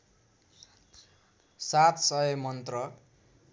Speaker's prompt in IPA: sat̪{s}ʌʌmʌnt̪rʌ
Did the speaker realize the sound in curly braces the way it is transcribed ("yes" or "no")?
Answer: yes